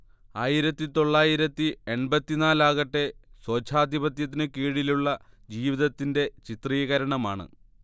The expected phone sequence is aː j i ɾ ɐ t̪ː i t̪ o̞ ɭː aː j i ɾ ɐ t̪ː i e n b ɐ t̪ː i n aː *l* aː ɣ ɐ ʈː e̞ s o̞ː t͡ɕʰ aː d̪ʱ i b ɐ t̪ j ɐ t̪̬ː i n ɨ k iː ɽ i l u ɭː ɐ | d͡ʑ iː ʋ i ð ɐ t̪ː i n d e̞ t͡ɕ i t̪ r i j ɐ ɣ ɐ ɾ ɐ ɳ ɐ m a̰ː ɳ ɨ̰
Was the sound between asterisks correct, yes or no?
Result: yes